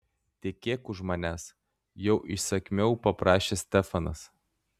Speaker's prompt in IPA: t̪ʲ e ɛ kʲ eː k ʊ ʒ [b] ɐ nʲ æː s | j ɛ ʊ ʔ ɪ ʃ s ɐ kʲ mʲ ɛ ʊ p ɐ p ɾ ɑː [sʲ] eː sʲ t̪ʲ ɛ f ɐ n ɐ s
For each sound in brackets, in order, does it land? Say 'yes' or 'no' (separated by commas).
no, no